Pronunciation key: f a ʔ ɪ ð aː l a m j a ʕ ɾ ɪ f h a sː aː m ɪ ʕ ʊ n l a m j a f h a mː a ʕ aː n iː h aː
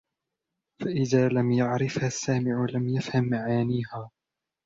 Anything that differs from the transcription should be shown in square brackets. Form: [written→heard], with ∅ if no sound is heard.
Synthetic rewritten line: f a ʔ ɪ ð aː l a m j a ʕ ɾ ɪ f h a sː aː m ɪ ʕ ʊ [n→∅] l a m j a f h a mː a ʕ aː n iː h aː